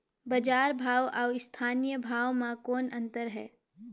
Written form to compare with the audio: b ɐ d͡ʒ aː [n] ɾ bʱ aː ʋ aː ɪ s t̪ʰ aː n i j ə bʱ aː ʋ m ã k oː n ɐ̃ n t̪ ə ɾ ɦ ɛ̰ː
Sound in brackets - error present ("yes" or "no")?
yes